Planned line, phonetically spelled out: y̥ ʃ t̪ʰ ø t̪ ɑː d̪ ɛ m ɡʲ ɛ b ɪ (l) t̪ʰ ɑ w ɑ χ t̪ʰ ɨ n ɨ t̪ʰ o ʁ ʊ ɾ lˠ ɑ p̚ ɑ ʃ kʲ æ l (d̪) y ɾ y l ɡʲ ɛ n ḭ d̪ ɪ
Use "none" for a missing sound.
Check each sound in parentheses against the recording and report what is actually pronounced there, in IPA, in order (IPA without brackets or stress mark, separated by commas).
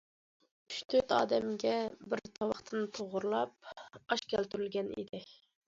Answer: ɾ, t̪